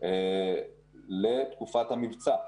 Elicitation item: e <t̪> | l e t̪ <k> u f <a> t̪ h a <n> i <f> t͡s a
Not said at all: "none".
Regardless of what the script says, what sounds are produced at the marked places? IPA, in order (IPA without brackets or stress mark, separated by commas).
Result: none, k, a, m, v